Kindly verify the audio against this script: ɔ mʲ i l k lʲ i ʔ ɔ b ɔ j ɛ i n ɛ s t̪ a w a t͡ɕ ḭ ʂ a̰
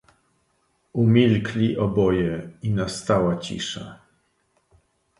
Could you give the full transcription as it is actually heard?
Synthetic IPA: u mʲ i l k lʲ i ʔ ɔ b ɔ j ɛ i n a s t̪ a w a t͡ɕ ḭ ʂ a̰